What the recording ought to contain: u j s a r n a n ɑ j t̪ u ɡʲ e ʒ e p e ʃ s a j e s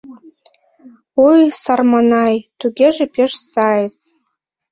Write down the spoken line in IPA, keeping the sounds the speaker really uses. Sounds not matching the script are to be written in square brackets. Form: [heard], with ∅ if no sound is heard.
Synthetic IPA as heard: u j s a r [m] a n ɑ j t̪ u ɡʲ e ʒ e p e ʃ s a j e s